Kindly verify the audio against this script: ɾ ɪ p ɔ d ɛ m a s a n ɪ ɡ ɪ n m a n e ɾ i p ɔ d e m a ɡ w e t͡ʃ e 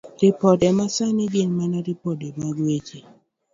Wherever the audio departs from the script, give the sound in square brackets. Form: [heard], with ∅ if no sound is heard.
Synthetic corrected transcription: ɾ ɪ p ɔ d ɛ m a s a n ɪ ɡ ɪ n m a n [a] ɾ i p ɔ d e m a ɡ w e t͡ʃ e